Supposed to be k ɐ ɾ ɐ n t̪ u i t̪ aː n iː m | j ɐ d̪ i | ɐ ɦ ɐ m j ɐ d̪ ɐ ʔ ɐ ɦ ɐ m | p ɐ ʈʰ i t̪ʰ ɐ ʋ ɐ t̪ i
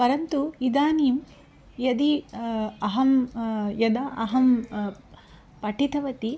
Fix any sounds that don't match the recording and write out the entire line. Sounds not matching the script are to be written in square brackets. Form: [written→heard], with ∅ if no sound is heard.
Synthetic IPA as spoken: [k→p] ɐ ɾ ɐ n t̪ u i [t̪→d̪] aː n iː m | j ɐ d̪ i | ɐ ɦ ɐ m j ɐ d̪ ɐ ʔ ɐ ɦ ɐ m | p ɐ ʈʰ i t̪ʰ ɐ ʋ ɐ t̪ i